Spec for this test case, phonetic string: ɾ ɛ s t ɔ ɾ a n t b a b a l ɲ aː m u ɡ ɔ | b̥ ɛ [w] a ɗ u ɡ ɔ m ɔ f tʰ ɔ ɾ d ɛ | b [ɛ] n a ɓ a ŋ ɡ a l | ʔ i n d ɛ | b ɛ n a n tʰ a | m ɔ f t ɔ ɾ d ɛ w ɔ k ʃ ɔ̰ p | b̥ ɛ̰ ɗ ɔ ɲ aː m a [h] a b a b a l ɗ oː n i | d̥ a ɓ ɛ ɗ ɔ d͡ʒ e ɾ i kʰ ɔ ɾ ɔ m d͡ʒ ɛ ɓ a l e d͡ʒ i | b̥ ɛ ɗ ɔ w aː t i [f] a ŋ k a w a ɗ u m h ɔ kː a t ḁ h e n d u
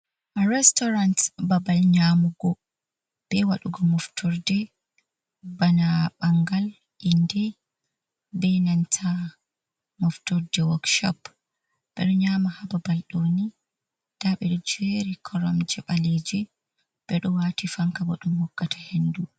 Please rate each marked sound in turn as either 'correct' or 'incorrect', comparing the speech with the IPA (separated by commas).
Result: correct, incorrect, correct, correct